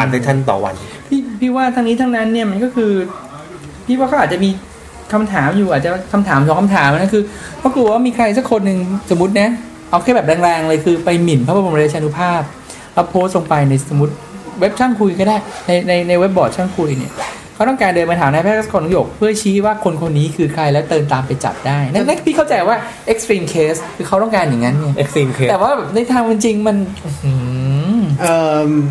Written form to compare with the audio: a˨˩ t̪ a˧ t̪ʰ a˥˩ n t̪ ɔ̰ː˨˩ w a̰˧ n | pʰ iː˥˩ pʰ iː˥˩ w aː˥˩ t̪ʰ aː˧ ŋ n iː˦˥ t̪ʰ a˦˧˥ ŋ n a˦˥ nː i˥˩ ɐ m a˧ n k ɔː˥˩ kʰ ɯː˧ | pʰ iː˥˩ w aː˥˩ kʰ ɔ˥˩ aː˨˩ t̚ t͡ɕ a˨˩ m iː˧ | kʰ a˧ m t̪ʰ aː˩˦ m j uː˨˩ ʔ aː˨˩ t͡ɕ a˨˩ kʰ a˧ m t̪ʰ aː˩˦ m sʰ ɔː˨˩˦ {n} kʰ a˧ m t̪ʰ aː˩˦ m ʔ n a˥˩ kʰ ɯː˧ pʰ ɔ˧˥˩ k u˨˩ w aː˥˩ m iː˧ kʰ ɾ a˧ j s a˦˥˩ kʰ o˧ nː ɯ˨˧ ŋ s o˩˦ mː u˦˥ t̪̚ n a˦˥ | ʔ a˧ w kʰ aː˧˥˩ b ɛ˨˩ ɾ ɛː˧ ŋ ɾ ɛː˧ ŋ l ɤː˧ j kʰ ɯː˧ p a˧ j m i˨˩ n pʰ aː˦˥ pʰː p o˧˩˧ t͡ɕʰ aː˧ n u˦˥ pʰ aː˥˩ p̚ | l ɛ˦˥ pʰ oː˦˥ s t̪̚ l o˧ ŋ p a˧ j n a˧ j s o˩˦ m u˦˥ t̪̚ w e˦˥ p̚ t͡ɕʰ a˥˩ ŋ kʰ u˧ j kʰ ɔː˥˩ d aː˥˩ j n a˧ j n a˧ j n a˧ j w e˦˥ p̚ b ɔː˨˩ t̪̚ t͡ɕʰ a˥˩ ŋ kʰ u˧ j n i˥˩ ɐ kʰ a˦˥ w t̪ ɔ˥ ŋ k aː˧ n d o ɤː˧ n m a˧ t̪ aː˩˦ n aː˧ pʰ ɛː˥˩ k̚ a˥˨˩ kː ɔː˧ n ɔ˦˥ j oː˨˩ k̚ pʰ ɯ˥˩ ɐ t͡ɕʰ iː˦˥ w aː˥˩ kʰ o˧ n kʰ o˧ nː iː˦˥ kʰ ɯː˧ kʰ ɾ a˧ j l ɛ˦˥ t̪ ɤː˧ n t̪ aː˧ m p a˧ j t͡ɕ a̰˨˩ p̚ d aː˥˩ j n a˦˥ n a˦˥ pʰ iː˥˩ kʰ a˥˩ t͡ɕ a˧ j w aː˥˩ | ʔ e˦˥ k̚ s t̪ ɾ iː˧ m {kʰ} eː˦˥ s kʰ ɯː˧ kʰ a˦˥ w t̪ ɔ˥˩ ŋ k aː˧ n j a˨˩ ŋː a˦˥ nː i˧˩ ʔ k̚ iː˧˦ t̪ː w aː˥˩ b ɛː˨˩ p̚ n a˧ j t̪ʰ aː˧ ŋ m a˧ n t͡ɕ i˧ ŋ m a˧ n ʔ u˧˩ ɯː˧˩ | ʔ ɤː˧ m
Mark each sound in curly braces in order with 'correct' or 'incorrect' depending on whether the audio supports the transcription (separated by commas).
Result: incorrect, correct